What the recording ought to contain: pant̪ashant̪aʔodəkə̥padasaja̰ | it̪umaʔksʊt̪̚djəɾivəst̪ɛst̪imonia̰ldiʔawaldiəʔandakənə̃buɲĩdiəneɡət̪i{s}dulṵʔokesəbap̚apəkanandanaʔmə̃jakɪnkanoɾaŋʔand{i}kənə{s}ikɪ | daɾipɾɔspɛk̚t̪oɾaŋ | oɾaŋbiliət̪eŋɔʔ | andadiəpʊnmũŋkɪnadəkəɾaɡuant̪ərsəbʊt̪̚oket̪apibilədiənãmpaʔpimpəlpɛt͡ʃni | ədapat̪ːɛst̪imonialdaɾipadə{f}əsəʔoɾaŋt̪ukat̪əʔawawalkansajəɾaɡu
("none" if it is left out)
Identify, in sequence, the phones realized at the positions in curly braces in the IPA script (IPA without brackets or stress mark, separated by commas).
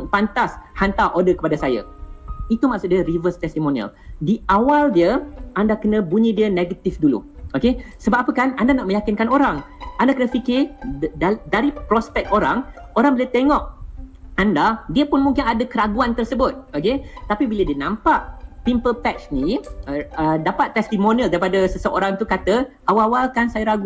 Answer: f, a, f, s